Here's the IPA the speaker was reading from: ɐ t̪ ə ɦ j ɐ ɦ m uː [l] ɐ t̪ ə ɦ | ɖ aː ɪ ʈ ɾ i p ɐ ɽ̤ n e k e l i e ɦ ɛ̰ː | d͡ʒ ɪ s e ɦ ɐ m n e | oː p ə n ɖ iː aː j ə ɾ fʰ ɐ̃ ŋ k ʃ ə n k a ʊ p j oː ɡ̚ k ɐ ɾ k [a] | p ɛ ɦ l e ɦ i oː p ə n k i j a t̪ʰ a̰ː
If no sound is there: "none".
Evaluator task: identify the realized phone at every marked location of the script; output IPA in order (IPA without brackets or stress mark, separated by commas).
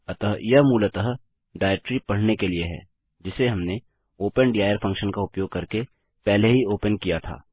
l, e